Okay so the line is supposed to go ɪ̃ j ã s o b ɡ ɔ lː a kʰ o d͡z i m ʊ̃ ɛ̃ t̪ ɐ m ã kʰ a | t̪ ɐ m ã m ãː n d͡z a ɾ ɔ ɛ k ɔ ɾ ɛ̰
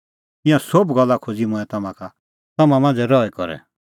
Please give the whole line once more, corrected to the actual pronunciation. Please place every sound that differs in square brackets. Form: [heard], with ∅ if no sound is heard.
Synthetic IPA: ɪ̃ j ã s o b ɡ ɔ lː a kʰ o d͡z i m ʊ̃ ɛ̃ t̪ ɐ m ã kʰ a | t̪ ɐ m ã m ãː n d͡z [ɛ] ɾ ɔ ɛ k ɔ ɾ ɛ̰

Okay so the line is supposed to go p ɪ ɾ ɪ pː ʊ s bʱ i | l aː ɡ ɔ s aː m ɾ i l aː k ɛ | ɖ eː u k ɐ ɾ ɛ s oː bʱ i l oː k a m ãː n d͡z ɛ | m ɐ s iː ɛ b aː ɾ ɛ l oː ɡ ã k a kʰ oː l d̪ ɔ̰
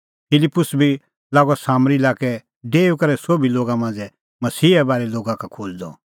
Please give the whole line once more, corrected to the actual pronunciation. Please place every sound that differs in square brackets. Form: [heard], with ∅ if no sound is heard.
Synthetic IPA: p ɪ [l] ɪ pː ʊ s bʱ i | l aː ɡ ɔ s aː m ɾ i l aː k ɛ | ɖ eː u k ɐ ɾ ɛ s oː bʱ i l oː [ɡ] a m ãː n d͡z ɛ | m ɐ s iː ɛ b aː ɾ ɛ l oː ɡ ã k a kʰ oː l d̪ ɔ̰

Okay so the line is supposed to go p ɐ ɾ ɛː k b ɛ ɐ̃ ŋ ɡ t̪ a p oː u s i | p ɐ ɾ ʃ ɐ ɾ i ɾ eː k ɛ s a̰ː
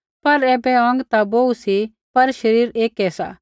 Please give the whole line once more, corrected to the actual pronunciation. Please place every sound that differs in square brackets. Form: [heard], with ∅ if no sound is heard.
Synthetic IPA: p ɐ ɾ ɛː [∅] b ɛ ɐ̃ ŋ ɡ t̪ a [b] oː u s i | p ɐ ɾ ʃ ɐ ɾ [iː] ɾ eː k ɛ s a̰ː

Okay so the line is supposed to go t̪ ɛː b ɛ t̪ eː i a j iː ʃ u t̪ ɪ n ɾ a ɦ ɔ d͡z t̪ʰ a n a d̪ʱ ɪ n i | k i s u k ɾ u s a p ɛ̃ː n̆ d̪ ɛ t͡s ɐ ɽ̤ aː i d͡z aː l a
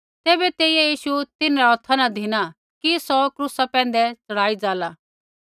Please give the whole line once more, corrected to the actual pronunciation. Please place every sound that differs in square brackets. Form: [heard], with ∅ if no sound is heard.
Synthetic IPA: t̪ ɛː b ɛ t̪ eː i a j iː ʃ u t̪ ɪ n ɾ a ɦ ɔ [∅] t̪ʰ a n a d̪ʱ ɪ n [a] | k i s [ɔ] k ɾ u s a p ɛ̃ː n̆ d̪ ɛ t͡s ɐ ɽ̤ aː i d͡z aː l a

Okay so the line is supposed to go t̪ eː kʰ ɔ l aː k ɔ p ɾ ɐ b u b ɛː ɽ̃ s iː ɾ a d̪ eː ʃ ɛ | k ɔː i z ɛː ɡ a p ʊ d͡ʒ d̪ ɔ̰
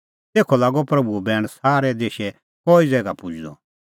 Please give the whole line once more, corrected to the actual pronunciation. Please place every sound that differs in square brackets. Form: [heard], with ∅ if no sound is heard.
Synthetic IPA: t̪ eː kʰ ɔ l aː [ɡ] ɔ p ɾ ɐ b u b ɛː ɽ̃ s [aː] ɾ [ɛ] d̪ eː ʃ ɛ | k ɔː i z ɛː ɡ a p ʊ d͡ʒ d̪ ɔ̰

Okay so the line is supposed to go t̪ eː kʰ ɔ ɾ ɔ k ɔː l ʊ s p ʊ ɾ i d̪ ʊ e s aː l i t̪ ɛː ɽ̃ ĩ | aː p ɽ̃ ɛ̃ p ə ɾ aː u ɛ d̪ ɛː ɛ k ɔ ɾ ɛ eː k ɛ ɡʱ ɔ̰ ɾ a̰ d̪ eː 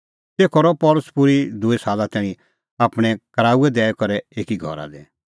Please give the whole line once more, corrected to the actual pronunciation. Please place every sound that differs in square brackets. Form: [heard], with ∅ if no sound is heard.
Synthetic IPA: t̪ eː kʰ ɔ ɾ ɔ [p] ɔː l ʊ s p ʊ ɾ i d̪ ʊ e s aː l [a] t̪ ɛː ɽ̃ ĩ | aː p ɽ̃ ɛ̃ [k] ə ɾ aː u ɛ d̪ ɛː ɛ k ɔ ɾ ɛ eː k [i] ɡʱ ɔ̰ ɾ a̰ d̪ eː

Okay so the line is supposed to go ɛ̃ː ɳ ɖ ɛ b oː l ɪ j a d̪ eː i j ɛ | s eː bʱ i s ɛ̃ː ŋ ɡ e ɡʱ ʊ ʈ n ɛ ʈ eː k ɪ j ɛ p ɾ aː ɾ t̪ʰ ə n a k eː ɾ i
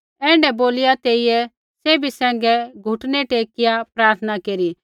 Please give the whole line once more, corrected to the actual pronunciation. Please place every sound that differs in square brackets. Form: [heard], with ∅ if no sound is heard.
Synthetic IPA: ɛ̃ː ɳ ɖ ɛ b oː l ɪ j a [t̪] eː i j ɛ | s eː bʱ i s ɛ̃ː ŋ ɡ [ɛ] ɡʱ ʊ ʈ n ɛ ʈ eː k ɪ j [a] p ɾ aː ɾ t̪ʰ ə n a k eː ɾ i

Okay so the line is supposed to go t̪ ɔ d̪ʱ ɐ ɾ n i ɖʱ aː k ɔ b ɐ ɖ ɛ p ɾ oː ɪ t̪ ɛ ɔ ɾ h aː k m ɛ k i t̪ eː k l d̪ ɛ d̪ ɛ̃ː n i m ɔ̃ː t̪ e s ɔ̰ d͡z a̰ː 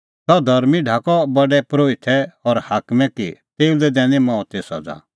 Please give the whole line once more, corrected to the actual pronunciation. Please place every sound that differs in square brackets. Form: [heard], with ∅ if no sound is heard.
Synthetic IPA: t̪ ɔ d̪ʱ ɐ ɾ [m] i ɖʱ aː k ɔ b ɐ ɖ ɛ p ɾ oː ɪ [t̪ʰ] ɛ ɔ ɾ h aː k m ɛ k i t̪ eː [∅] l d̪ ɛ d̪ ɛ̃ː n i m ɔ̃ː t̪ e s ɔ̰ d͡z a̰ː

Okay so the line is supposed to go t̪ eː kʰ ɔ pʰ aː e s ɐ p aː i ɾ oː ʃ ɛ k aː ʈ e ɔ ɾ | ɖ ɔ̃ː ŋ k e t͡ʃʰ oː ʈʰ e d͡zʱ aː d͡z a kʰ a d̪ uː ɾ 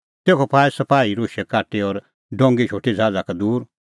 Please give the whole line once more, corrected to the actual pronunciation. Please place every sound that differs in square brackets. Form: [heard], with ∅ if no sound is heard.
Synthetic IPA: t̪ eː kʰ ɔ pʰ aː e s ɐ p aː i ɾ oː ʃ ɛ k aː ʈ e ɔ ɾ | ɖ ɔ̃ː ŋ [ɡ] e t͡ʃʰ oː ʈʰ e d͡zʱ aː d͡z a [k] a d̪ uː ɾ

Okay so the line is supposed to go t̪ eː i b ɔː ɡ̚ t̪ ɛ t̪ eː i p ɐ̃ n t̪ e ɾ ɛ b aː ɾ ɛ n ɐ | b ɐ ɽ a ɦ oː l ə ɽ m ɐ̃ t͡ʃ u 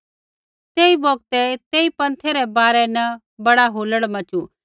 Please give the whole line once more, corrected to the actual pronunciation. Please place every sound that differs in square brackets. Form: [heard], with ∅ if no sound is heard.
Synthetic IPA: t̪ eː i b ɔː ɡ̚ t̪ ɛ t̪ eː i p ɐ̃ n [t̪ʰ] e ɾ ɛ b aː ɾ ɛ n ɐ | b ɐ ɽ a ɦ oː l ə ɽ m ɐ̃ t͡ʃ u

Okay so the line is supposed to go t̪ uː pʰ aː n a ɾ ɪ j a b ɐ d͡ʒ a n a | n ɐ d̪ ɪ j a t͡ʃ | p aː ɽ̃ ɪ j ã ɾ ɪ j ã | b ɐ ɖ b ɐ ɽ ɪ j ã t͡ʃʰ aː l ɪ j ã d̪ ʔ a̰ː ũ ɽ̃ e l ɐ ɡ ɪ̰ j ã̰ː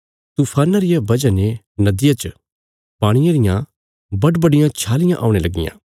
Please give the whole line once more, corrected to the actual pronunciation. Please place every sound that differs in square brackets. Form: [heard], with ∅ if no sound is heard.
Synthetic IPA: t̪ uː pʰ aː n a ɾ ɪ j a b ɐ d͡ʒ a n [e] | n ɐ d̪ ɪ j a t͡ʃ | p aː ɽ̃ ɪ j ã ɾ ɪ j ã | b ɐ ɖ b ɐ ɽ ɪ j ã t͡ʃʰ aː l ɪ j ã [∅] ʔ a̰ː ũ ɽ̃ e l ɐ ɡ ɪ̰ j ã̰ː

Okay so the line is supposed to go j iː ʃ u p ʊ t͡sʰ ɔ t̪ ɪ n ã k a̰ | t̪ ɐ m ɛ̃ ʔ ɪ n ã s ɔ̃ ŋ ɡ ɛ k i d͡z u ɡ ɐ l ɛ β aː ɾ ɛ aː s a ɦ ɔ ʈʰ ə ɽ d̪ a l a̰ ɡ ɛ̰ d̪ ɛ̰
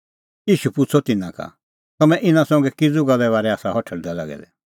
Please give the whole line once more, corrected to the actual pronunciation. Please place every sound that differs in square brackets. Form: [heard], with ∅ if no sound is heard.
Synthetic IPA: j iː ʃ u p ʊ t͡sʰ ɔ t̪ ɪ n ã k a̰ | t̪ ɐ m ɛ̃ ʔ ɪ n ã s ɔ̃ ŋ ɡ ɛ k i d͡z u ɡ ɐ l ɛ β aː ɾ ɛ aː s a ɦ ɔ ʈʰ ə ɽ d̪ a l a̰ ɡ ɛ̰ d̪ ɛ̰

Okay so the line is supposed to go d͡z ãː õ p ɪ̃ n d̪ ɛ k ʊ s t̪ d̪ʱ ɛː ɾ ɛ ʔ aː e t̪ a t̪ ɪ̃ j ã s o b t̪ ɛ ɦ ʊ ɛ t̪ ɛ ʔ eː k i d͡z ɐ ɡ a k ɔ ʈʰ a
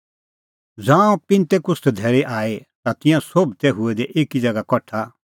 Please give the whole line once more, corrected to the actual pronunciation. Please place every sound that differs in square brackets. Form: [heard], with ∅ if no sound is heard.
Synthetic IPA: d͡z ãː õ p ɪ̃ n [t̪] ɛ k ʊ s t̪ d̪ʱ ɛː ɾ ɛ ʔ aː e t̪ a t̪ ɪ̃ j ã s o b t̪ ɛ ɦ ʊ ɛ [d̪] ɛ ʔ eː k i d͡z ɐ ɡ a k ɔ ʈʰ a

